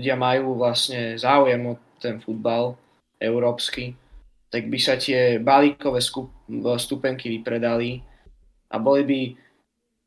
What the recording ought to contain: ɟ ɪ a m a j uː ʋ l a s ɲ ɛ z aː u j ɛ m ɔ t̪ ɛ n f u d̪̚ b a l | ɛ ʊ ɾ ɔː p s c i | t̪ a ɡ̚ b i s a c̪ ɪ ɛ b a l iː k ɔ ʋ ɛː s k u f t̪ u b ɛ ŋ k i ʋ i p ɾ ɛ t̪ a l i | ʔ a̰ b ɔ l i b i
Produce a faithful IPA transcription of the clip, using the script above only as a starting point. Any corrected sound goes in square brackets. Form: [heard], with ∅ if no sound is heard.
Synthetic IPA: ɟ ɪ a m a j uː ʋ l a s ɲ ɛ z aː u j ɛ m ɔ t̪ ɛ n f u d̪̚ b a l | ɛ ʊ ɾ ɔː p s [k] i | t̪ a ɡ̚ b i s a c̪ ɪ ɛ b a l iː k ɔ ʋ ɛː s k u [s] t̪ u [p] ɛ ŋ k i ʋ i p ɾ ɛ [d̪] a l i | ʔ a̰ b ɔ l i b i